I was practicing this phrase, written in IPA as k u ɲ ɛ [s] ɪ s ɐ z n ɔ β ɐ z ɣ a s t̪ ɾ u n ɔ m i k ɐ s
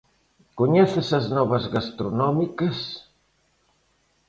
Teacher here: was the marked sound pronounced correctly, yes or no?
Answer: no